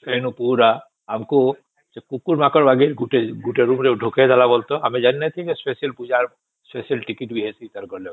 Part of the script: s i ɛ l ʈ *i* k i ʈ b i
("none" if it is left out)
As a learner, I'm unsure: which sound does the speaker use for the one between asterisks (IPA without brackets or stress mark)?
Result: i